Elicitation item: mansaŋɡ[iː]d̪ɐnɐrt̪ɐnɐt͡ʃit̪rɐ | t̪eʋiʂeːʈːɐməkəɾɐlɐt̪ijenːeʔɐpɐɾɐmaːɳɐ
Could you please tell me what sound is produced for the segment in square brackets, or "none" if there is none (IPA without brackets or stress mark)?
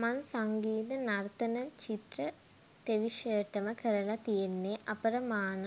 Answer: iː